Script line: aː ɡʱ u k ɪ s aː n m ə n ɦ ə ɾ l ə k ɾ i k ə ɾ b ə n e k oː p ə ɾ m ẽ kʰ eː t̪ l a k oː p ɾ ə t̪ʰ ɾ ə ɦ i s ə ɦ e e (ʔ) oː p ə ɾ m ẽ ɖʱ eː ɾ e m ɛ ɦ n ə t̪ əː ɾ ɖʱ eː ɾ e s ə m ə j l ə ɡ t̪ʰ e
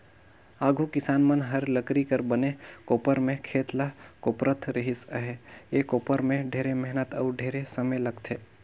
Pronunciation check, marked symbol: incorrect: k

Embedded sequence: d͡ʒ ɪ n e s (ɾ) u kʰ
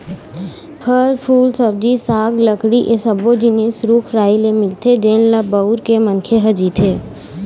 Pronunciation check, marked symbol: correct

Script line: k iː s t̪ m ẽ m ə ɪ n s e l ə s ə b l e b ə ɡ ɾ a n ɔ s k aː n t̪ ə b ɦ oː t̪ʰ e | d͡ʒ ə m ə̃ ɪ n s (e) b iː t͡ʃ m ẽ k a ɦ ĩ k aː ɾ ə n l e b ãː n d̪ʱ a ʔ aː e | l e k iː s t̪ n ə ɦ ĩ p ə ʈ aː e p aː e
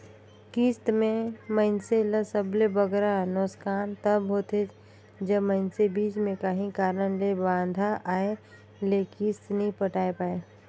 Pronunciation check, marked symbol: correct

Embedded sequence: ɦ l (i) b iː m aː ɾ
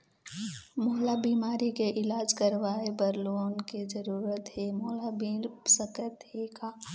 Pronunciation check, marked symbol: incorrect: a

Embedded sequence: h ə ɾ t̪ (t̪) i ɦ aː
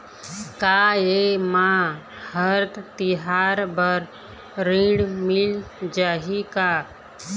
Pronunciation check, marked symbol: correct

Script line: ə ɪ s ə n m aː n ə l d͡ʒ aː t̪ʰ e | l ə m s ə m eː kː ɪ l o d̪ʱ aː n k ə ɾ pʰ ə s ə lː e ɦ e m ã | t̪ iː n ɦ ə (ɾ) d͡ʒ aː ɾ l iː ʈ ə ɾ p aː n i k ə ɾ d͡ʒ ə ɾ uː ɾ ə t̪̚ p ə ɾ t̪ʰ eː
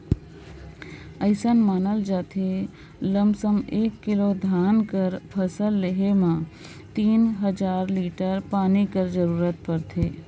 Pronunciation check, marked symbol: incorrect: none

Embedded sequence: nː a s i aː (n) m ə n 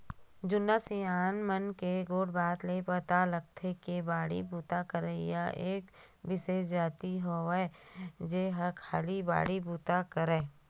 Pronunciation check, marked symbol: correct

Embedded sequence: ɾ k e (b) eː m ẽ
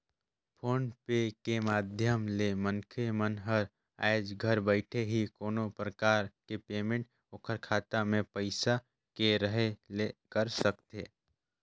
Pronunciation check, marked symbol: incorrect: p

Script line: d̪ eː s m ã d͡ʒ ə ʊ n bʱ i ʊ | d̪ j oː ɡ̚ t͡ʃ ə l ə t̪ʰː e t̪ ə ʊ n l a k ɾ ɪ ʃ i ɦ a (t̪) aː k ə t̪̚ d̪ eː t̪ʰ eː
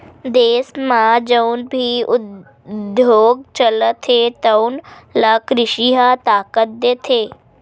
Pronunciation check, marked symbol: correct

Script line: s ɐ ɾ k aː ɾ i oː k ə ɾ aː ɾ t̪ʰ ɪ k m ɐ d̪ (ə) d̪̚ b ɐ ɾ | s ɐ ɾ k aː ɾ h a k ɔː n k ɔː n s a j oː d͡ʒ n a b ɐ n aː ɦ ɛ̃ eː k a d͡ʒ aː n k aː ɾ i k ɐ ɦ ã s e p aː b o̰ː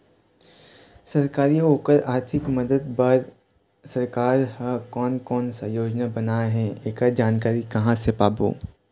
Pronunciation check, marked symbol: correct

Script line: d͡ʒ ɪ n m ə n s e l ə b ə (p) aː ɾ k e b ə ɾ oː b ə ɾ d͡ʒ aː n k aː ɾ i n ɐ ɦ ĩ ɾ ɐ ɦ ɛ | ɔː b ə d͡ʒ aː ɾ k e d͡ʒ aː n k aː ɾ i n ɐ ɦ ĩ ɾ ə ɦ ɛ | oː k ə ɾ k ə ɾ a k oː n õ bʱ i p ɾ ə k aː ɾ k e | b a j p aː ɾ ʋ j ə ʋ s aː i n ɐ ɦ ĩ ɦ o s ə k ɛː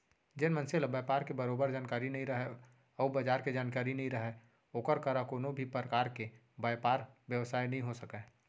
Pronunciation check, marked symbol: correct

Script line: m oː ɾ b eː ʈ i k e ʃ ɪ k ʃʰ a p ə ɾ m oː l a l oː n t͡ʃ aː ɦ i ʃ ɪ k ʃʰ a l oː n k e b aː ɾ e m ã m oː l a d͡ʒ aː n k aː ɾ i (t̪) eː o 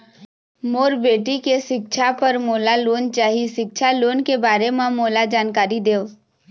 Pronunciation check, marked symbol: incorrect: d̪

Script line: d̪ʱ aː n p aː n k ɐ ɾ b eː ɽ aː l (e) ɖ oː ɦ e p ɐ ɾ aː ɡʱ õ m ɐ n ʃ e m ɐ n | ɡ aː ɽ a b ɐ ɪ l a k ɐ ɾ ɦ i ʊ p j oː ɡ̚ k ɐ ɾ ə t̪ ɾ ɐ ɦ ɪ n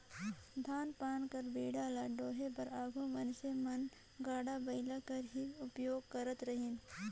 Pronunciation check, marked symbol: incorrect: a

